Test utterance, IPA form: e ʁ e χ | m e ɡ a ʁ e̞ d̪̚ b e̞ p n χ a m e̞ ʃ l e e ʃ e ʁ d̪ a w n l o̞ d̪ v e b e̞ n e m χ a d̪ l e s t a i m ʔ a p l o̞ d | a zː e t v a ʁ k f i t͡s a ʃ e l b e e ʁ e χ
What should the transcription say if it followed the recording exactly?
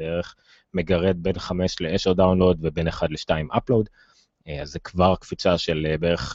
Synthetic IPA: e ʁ e χ | m e ɡ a ʁ e̞ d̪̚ b e̞ n χ a m e̞ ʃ l e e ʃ e ʁ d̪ a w n l o̞ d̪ v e b e̞ n e χ a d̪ l e ʃ t a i m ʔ a p l o̞ d | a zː e k v a ʁ k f i t͡s a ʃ e l b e e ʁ e χ